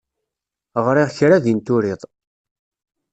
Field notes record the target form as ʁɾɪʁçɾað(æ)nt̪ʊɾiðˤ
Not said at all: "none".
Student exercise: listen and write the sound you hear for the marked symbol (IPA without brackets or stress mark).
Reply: i